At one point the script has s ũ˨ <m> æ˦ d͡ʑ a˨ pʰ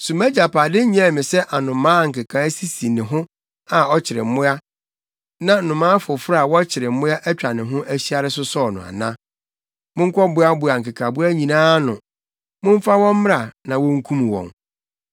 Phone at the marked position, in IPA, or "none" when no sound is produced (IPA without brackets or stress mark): m